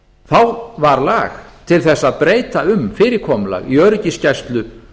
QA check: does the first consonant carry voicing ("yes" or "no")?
no